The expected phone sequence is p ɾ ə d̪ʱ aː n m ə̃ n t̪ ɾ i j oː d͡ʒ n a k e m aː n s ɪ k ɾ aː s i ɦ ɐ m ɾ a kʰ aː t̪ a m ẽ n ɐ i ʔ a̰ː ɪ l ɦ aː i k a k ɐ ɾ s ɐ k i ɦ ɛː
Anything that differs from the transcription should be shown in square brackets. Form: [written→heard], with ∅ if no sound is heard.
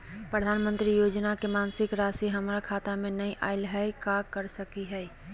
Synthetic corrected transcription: p ɾ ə d̪ʱ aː n m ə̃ n t̪ ɾ i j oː d͡ʒ n a k e m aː n s ɪ k ɾ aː s i ɦ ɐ m ɾ a kʰ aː t̪ a m ẽ n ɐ i ʔ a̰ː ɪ l ɦ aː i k a k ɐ ɾ s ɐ k i ɦ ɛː